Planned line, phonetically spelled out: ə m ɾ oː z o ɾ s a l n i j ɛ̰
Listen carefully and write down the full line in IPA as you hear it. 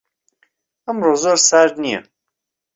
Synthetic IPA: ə m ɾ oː z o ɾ s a ɾ n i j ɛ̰

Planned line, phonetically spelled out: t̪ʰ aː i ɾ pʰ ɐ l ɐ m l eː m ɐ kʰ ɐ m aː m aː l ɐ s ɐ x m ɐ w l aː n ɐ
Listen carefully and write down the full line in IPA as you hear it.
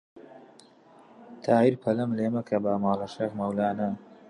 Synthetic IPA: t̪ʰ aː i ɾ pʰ ɐ l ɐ m l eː m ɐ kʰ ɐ b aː m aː l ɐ ʃ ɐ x m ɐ w l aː n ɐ

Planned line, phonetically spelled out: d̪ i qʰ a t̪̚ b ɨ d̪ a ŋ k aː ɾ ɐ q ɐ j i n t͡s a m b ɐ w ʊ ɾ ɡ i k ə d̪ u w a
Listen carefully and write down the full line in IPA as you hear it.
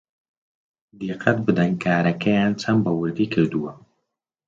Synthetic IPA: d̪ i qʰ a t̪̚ b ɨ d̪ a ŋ k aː ɾ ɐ k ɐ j a n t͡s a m b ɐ w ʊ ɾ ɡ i k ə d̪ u w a

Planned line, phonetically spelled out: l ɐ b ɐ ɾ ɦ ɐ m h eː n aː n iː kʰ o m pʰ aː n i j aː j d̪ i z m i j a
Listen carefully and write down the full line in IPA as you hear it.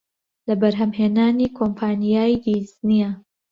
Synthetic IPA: l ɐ b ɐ ɾ ɦ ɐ m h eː n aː n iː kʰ o m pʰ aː n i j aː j d̪ i z n i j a

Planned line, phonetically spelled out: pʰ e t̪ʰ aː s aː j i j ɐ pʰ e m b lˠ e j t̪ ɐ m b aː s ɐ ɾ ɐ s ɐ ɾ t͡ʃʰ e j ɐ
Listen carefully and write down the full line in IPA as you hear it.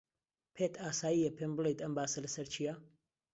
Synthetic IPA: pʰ e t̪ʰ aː s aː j i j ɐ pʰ e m b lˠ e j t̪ ɐ m b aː s ɐ l ɐ s ɐ ɾ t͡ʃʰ i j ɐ

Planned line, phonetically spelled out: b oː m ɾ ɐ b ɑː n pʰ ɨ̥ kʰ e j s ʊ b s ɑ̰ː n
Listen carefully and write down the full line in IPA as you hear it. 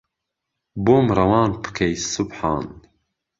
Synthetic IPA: b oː m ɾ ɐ w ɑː n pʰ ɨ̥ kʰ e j s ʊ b ħ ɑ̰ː n

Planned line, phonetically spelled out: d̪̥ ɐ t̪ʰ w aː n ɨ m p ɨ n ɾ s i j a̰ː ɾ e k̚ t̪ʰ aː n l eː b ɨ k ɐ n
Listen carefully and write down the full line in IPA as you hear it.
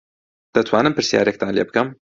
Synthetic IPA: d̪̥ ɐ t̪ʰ w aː n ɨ m p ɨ ɾ s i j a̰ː ɾ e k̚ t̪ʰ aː n l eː b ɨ k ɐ m

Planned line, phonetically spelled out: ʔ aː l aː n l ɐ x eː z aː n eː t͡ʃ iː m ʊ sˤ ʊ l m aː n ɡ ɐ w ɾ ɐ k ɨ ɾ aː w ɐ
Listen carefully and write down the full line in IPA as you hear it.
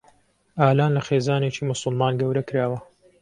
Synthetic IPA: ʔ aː l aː n l ɐ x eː z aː n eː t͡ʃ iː m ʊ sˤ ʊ l m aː n ɡ ɐ w ɾ ɐ k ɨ ɾ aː w ɐ

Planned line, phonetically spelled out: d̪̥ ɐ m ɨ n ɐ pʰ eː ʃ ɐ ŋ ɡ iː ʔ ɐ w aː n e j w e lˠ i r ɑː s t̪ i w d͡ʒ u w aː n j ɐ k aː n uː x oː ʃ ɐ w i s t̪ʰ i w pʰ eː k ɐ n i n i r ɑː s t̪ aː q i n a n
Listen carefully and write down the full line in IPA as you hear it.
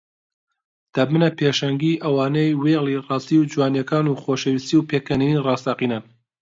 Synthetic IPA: d̪̥ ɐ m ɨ n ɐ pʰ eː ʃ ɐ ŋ ɡ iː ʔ ɐ w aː n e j w e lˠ i r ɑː s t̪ i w d͡ʒ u w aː n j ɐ k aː n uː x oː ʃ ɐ w i s t̪ i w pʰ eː k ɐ n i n i r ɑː s t̪ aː q i n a n

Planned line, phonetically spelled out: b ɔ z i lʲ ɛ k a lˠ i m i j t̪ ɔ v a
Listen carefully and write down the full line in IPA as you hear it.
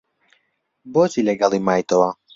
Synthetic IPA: b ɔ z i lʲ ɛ ɡ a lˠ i m a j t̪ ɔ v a

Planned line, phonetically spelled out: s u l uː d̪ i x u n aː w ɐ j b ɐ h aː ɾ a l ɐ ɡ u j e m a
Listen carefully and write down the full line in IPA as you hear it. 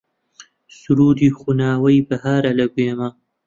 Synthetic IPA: s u ɾ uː d̪ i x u n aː w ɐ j b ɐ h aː ɾ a l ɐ ɡ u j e m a

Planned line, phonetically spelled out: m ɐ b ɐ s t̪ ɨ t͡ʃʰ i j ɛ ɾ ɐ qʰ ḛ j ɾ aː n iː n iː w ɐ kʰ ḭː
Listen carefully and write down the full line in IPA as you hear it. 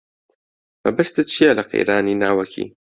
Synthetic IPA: m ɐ b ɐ s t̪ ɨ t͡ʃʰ i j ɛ l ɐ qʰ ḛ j ɾ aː n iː n aː w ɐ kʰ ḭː

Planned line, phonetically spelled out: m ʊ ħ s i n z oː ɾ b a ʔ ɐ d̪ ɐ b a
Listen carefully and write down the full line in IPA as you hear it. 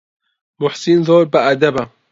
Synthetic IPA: m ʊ ħ s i n z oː ɾ b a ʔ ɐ d̪ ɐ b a

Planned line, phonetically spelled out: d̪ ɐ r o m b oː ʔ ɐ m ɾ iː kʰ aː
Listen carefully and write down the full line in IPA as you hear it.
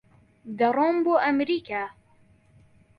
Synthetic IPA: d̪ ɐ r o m b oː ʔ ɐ m ɾ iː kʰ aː

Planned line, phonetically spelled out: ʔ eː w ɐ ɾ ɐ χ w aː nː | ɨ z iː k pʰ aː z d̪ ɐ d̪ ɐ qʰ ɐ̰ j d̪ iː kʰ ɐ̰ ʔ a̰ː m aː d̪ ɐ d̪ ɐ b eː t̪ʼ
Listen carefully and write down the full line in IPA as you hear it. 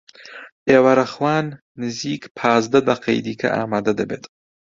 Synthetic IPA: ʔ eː w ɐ ɾ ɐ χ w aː nː | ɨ z iː k pʰ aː z d̪ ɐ d̪ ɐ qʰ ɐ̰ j d̪ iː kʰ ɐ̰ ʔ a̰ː m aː d̪ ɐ d̪ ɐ b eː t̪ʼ

